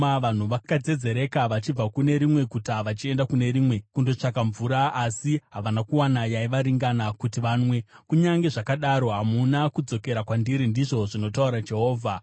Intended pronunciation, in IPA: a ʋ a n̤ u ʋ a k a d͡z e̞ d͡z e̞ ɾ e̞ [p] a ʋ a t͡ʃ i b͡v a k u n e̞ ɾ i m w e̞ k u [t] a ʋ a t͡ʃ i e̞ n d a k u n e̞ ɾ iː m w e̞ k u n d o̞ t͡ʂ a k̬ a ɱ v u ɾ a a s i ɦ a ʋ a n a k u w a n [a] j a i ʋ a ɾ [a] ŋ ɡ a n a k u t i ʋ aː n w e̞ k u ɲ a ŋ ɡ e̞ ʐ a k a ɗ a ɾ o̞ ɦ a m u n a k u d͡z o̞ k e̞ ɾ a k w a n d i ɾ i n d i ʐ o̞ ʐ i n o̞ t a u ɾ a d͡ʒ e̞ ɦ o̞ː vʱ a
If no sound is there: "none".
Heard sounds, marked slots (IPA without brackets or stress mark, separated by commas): k, t, a, i